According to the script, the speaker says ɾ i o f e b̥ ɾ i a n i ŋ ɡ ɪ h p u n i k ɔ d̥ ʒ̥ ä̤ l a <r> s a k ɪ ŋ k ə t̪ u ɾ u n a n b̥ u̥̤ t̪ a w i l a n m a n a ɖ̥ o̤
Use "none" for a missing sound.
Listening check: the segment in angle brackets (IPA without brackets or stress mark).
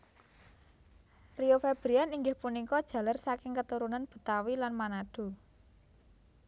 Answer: r